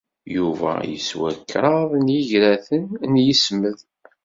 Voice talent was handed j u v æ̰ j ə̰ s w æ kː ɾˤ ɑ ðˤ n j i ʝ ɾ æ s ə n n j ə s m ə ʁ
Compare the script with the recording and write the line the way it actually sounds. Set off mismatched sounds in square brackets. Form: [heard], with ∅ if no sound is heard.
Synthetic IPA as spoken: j u v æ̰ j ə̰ s w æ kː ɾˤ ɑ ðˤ n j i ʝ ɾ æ [θ] ə n n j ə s m ə [ð]